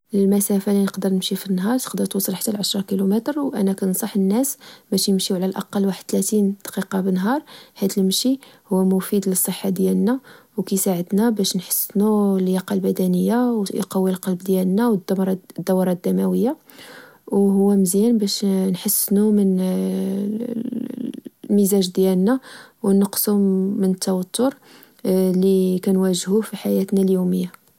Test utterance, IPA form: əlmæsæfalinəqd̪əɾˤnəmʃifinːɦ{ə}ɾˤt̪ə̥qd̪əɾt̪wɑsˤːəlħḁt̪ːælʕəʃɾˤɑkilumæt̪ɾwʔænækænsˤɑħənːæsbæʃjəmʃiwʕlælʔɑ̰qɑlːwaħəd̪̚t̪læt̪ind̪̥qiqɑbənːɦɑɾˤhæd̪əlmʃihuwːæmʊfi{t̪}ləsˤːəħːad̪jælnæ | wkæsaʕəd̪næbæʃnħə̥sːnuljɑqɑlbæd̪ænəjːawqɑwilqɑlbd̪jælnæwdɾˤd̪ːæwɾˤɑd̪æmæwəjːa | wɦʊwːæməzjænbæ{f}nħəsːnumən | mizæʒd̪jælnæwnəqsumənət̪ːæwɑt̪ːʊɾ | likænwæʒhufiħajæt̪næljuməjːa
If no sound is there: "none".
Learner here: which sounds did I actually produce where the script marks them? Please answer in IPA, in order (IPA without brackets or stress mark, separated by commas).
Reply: ɑ, d̪, ʃ